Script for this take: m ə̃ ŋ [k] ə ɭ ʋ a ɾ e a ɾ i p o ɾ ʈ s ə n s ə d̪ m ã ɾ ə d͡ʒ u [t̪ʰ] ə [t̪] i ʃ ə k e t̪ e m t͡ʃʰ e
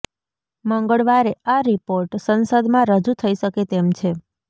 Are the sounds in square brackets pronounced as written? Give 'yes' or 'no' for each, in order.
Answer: no, yes, no

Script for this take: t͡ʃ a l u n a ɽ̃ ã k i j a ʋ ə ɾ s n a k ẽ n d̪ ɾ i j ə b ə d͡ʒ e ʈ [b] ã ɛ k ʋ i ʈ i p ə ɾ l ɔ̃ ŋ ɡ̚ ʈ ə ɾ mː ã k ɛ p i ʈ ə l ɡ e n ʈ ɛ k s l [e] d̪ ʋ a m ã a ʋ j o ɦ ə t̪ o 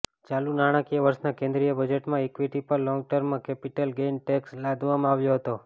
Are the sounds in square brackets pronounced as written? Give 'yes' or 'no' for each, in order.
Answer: no, no

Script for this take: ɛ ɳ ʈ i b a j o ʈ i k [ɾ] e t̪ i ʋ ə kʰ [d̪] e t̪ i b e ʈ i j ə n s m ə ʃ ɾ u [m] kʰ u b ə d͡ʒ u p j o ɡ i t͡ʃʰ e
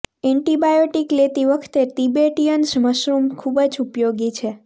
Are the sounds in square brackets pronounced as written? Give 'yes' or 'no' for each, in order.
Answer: no, no, yes

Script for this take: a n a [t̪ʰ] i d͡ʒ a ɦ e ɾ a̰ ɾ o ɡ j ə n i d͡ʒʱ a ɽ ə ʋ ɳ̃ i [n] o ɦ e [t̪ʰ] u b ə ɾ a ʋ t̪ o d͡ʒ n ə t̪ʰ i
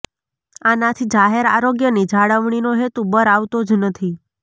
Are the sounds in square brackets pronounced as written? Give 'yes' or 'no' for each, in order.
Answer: yes, yes, no

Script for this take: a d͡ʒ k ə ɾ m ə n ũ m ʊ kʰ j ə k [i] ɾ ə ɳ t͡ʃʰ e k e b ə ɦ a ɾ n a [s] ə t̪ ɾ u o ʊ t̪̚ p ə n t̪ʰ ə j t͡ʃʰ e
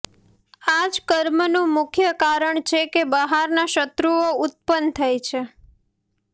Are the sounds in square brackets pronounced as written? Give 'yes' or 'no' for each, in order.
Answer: no, no

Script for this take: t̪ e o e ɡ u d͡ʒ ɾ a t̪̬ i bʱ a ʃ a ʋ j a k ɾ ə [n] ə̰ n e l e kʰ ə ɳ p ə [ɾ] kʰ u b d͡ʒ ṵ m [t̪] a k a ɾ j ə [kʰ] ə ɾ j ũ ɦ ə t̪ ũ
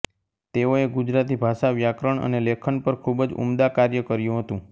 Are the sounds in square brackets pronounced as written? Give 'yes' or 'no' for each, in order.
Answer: no, yes, no, no

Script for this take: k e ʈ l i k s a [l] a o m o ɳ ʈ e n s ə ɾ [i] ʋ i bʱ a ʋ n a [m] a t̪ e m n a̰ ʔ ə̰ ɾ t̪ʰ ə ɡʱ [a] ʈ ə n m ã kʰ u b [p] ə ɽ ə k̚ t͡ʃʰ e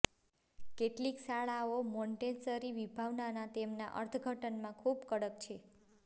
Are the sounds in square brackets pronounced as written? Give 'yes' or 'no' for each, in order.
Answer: no, yes, no, no, no

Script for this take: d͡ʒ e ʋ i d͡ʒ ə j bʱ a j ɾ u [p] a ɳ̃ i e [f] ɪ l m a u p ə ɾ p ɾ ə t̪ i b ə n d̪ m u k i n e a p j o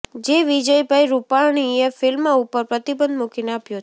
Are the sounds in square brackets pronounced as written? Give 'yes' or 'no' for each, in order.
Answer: yes, yes

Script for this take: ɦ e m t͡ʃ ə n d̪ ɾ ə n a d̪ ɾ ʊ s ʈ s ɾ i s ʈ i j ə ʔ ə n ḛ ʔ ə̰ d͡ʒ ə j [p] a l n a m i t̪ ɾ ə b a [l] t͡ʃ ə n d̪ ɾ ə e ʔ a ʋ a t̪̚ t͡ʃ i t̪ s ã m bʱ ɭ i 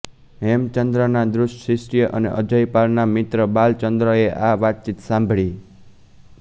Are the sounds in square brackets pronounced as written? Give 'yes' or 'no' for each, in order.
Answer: yes, yes

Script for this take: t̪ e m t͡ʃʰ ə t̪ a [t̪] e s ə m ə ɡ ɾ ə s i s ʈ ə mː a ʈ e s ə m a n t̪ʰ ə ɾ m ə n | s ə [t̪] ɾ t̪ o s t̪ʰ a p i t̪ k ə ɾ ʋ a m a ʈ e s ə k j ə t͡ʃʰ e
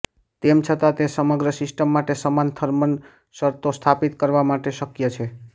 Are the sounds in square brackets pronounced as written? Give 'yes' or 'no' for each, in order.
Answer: yes, no

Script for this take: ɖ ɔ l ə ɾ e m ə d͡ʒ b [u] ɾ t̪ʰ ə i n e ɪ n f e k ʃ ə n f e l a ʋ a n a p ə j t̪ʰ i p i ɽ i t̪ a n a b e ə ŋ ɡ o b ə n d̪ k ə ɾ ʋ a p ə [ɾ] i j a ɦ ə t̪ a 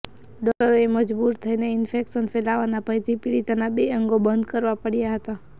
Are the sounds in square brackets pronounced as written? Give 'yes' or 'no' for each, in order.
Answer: yes, no

